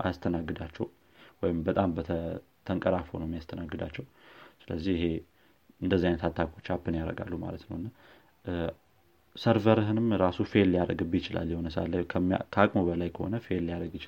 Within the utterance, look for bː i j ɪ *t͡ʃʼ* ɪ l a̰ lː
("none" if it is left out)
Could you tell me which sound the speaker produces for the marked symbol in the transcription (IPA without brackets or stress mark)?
t͡ʃ